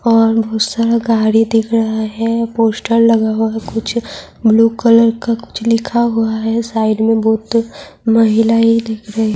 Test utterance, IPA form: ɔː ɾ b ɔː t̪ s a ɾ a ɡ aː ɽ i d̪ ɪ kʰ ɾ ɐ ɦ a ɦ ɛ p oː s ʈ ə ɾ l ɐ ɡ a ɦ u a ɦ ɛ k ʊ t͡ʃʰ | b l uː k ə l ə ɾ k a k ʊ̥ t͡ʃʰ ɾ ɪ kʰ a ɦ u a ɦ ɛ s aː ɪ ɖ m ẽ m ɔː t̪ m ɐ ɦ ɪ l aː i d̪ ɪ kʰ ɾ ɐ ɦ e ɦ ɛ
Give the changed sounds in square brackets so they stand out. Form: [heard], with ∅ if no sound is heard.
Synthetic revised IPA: ɔː ɾ b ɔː t̪ s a ɾ a ɡ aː ɽ i d̪ ɪ kʰ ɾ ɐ ɦ a ɦ ɛ p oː s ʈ ə ɾ l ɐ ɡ a ɦ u a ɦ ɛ k ʊ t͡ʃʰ | b l uː k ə l ə ɾ k a k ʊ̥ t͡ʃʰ [l] ɪ kʰ a ɦ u a ɦ ɛ s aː ɪ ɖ m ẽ [b] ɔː t̪ m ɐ ɦ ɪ l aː i d̪ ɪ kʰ ɾ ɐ ɦ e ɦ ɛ